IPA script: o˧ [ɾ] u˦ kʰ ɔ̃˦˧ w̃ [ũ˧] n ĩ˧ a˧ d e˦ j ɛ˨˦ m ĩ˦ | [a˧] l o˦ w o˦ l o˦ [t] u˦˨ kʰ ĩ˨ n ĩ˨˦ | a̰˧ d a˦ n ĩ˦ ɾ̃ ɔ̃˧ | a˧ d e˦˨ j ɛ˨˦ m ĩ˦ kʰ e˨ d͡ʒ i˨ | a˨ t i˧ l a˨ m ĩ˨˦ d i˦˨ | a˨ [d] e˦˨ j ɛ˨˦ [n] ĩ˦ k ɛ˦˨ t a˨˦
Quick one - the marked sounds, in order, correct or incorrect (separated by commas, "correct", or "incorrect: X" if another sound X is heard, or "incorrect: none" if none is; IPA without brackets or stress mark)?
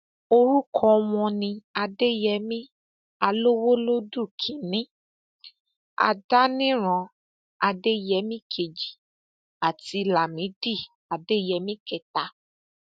correct, incorrect: ɔ̃˧, correct, incorrect: d, correct, incorrect: m